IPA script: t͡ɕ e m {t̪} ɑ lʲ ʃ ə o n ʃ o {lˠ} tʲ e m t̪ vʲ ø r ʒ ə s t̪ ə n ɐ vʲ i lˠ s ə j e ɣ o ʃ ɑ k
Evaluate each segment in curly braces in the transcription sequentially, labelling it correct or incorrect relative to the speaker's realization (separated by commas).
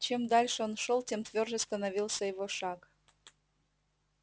incorrect, correct